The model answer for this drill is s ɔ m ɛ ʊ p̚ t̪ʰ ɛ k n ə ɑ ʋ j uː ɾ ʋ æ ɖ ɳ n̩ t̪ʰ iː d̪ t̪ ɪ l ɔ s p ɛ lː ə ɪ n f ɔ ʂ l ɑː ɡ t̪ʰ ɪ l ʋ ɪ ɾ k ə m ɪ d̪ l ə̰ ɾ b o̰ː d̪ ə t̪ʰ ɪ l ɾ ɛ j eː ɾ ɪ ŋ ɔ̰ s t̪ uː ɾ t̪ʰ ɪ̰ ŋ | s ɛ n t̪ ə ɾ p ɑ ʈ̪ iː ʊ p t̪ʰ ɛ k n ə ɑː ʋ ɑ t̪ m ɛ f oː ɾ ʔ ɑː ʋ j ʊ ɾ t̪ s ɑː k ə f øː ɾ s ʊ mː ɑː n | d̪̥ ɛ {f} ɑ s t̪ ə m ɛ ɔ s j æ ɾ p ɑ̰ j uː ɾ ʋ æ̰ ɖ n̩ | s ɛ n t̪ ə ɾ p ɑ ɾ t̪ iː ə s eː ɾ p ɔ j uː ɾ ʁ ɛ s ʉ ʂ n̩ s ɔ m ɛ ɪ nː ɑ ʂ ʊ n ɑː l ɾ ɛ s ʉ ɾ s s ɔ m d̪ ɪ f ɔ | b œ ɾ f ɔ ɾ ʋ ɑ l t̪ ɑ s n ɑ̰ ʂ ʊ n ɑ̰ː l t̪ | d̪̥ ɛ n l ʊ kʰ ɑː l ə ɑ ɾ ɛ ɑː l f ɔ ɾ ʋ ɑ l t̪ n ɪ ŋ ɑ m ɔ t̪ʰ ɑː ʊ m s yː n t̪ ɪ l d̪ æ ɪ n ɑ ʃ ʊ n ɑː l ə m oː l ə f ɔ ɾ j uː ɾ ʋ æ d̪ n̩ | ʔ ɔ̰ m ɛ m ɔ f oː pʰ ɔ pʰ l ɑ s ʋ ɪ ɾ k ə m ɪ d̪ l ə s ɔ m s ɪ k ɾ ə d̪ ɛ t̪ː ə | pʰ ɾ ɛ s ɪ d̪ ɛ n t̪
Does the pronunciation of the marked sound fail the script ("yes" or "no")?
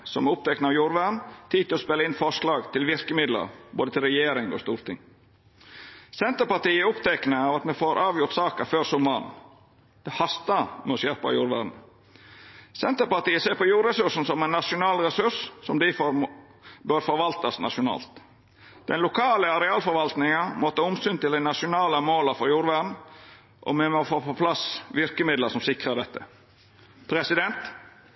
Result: yes